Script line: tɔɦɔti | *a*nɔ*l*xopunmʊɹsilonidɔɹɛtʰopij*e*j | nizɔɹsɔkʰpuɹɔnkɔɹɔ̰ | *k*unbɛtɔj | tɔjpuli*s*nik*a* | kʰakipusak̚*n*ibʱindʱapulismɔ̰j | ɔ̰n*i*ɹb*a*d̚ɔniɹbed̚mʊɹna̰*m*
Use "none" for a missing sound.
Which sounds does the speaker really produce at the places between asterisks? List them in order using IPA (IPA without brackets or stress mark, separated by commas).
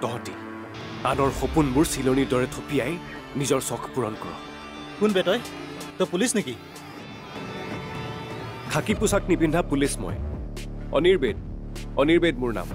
a, ɹ, a, k, s, i, n, i, e, m